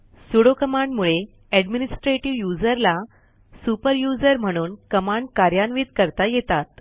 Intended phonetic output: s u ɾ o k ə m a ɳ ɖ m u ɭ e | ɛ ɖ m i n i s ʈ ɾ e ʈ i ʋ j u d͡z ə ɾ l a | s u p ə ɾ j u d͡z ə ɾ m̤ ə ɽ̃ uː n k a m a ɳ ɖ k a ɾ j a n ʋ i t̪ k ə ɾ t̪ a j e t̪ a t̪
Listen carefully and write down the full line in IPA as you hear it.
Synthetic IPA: s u ɽ o k ə m a ɳ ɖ m u ɭ e | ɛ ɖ m i n i s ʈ ɾ e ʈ i ʋ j u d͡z ə ɾ l a | s u p ə ɾ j u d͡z ə ɾ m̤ ə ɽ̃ uː n k ə m a ɳ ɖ k a ɾ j a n ʋ i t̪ k ə ɾ t̪ a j e t̪ a t̪